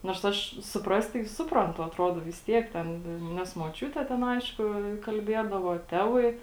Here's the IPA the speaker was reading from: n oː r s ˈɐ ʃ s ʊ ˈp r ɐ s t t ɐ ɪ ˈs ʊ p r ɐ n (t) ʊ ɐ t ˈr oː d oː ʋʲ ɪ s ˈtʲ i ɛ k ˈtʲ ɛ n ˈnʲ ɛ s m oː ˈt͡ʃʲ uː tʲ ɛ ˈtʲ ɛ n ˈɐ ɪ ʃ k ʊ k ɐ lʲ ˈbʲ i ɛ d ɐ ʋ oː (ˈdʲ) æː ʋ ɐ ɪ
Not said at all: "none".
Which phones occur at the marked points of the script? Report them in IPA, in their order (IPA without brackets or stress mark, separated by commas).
t, tʲ